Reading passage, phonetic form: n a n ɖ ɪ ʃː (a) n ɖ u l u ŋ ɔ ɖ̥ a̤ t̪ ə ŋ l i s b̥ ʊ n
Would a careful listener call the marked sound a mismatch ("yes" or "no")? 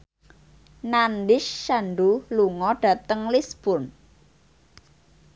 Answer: no